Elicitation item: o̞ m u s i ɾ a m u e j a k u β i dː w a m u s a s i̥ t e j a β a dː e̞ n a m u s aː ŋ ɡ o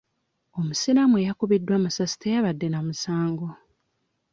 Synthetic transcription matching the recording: o̞ m u s i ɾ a m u e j a k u β i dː w a m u s a s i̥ t e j a β a dː e̞ n a m u s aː ŋ ɡ o